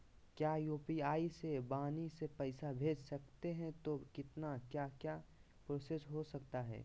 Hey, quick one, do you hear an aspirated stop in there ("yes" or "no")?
no